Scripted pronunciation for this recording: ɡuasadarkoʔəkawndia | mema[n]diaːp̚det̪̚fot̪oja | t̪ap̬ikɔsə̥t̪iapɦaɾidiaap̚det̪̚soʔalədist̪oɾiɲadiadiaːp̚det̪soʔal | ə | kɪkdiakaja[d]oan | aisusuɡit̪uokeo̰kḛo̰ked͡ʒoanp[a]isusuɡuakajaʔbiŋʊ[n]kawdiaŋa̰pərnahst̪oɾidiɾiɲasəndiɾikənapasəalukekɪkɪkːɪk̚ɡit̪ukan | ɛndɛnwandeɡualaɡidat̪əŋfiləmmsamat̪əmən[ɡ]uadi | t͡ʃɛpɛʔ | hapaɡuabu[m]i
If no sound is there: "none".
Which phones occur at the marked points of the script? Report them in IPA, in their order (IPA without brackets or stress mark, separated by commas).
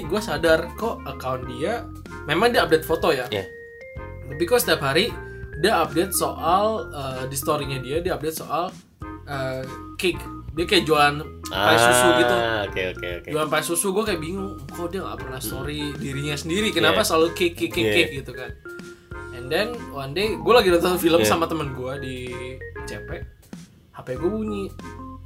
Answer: ŋ, d͡ʒ, a, ŋ, ɡ, ɲ